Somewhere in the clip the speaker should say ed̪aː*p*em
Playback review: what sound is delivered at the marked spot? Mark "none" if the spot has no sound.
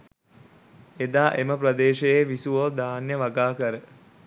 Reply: ʔ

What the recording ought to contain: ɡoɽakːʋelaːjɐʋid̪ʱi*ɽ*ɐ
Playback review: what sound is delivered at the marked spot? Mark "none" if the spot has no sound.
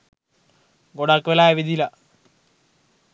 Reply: l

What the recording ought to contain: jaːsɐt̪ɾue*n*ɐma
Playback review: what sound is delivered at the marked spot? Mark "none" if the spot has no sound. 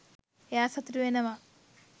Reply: n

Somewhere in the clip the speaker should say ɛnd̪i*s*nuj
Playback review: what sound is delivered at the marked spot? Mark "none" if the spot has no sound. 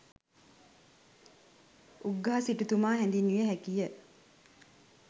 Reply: none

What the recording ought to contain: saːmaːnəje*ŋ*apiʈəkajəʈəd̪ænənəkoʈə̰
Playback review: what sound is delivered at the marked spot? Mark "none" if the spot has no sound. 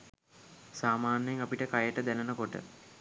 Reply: ŋ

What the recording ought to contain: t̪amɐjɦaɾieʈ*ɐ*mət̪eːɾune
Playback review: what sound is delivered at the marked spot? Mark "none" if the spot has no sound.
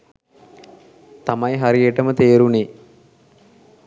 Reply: ə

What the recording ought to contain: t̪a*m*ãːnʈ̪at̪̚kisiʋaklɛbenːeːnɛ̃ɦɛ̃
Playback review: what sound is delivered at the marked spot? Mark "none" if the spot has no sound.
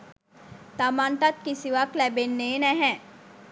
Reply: m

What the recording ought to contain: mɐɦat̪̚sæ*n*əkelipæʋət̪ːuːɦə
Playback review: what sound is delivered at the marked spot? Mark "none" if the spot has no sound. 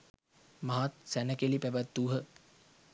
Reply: n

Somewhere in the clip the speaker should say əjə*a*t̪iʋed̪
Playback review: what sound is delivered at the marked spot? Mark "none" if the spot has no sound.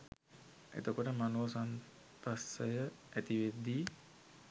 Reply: æ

